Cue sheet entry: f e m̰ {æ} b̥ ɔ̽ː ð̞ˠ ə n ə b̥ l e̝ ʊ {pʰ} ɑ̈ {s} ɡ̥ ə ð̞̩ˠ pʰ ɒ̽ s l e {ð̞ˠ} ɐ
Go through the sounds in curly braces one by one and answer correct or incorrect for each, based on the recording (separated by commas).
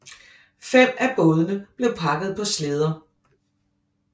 correct, correct, incorrect, correct